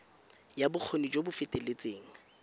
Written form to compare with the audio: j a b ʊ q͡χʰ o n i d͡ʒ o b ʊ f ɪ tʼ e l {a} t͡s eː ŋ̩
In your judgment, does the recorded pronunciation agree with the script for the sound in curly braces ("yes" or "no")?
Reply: no